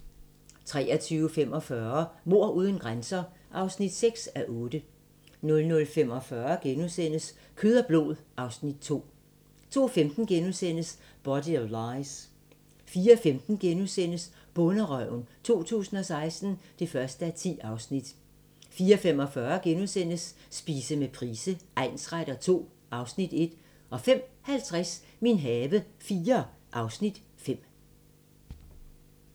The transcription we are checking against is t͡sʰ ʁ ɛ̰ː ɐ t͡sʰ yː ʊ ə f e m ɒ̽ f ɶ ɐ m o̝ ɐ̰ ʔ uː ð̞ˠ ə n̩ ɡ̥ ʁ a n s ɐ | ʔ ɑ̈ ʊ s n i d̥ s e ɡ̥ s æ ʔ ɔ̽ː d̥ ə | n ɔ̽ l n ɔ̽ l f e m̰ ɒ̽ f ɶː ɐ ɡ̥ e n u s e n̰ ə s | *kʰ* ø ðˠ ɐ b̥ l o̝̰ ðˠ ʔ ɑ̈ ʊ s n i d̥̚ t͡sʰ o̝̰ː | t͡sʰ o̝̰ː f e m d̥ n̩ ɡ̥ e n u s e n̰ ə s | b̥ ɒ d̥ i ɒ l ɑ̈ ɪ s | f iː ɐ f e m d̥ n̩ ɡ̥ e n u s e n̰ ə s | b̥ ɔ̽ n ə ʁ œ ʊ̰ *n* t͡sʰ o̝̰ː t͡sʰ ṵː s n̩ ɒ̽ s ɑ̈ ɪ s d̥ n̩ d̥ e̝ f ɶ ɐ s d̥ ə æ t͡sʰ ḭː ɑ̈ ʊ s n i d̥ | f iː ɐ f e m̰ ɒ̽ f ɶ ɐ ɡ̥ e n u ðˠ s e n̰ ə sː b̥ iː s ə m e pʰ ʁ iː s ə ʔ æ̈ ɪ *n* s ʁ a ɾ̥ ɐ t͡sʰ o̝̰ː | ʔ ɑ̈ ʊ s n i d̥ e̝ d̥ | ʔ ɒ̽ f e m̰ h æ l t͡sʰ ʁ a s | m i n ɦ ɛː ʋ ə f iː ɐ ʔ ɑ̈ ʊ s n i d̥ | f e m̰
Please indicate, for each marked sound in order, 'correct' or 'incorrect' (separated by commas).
correct, correct, correct